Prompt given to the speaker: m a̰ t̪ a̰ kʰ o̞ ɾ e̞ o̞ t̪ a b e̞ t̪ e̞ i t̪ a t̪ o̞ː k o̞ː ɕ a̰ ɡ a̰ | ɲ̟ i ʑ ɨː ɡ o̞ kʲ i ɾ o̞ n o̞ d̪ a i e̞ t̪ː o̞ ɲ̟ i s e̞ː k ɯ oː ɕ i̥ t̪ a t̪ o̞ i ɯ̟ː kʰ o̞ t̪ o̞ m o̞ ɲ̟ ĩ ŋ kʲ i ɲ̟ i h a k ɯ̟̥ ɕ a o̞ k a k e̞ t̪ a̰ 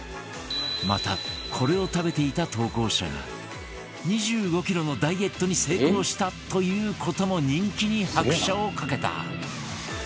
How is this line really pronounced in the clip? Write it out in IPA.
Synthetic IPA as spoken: m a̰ t̪ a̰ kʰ o̞ ɾ e̞ o̞ t̪ a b e̞ t̪ e̞ i t̪ a t̪ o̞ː k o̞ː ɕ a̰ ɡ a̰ | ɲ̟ i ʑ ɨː ɡ o̞ kʲ i ɾ o̞ n o̞ d̪ a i e̞ t̪ː o̞ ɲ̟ i s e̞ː k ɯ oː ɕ i̥ t̪ a t̪ o̞ j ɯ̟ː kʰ o̞ t̪ o̞ m o̞ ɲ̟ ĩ ŋ kʲ i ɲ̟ i h a k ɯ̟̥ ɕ a o̞ k a k e̞ t̪ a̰

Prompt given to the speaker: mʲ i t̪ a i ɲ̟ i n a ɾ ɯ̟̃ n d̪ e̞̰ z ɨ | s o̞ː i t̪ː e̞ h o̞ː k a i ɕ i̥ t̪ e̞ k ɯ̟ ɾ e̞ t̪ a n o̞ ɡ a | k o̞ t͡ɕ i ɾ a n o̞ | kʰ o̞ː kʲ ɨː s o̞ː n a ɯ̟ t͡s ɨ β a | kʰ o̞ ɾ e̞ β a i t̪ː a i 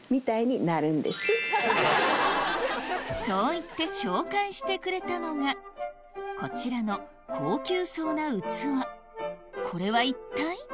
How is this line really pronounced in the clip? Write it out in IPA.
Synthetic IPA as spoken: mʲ i t̪ a i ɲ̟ i n a ɾ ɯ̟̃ n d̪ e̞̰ s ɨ | s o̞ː i t̪ː e̞ ɕ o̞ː k a i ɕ i̥ t̪ e̞ k ɯ̟ ɾ e̞ t̪ a n o̞ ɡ a | k o̞ t͡ɕ i ɾ a n o̞ | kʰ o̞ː kʲ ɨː s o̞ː n a ɯ̟ t͡s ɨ β a | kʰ o̞ ɾ e̞ β a i t̪ː a i

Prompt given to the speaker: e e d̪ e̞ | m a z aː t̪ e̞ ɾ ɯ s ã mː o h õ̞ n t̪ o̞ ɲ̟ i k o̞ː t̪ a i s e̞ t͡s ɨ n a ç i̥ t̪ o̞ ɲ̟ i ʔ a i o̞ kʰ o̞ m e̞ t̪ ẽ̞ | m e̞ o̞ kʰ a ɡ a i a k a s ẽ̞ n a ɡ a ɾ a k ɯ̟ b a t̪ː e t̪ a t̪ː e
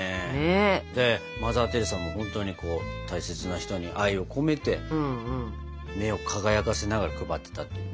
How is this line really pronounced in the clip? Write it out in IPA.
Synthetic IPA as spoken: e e d̪ e̞ | m a z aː t̪ e̞ ɾ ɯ s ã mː o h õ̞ n t̪ o̞ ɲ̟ i k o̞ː t̪ a i s e̞ t͡s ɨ n a ç i̥ t̪ o̞ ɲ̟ i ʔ a i o̞ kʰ o̞ m e̞ t̪ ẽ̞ | m e̞ o̞ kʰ a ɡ a j a k a s e̞ n a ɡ a ɾ a k ɯ̟ b a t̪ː e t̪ a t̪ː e

